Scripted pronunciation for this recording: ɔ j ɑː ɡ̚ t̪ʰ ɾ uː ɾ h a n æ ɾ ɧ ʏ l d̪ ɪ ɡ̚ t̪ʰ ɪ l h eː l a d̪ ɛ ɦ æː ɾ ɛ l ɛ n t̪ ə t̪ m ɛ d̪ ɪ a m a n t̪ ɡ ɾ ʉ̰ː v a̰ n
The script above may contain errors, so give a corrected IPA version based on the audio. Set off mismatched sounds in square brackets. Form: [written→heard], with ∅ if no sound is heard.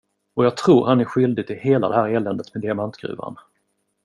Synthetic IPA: ɔ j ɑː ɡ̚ t̪ʰ ɾ uː ɾ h a n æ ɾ ɧ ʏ l d̪ ɪ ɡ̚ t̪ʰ ɪ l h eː l a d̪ ɛ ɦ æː ɾ ɛ l ɛ n [t̪→d̪] ə t̪ m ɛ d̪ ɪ a m a n t̪ ɡ ɾ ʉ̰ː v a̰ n